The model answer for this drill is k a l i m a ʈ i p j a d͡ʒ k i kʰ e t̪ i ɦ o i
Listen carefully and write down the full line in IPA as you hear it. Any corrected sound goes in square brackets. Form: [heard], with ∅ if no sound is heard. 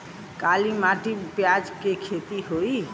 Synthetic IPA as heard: k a l i m a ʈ i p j a d͡ʒ k [e] kʰ e t̪ i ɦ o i